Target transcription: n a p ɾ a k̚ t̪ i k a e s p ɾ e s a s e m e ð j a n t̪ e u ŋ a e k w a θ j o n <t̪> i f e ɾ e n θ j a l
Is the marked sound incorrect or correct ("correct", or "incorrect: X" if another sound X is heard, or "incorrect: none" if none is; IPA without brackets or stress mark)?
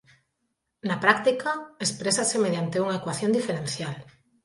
incorrect: d̪